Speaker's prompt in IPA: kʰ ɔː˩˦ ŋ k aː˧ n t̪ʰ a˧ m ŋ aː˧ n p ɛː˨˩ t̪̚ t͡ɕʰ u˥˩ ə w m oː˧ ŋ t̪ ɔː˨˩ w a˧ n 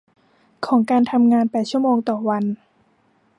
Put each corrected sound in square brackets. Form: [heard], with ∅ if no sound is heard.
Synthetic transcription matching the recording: kʰ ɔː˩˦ ŋ k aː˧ n t̪ʰ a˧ m ŋ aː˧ n p ɛː˨˩ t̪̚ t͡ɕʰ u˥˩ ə [∅] m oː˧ ŋ t̪ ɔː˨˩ w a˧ n